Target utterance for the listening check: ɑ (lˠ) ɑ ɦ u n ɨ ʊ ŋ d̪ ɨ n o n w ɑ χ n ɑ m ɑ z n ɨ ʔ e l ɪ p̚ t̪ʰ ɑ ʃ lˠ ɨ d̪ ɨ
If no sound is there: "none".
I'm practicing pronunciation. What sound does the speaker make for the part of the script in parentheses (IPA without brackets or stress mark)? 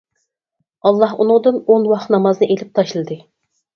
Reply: lˠː